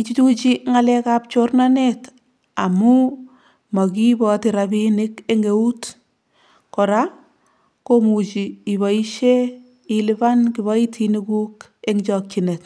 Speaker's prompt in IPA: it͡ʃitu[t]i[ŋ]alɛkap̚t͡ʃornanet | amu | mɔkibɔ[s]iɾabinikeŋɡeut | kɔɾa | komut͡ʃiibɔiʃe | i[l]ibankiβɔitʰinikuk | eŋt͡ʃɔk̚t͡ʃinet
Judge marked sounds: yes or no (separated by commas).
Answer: no, yes, no, yes